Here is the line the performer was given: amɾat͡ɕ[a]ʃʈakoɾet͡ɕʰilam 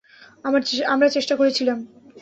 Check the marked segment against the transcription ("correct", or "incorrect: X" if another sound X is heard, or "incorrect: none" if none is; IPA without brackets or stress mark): incorrect: e